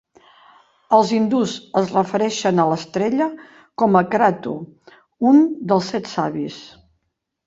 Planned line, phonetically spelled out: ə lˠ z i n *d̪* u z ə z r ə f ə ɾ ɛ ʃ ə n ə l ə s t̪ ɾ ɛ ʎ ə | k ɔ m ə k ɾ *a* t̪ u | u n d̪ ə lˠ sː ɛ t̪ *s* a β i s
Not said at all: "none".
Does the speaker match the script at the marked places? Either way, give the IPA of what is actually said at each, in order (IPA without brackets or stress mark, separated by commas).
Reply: d̪, a, s